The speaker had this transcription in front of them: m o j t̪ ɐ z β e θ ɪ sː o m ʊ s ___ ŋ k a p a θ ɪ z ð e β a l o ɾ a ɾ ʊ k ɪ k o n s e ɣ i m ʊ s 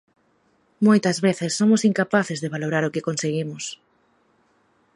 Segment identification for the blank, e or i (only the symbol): i